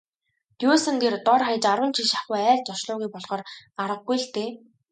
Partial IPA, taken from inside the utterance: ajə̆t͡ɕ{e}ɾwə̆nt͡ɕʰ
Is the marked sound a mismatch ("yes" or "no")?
yes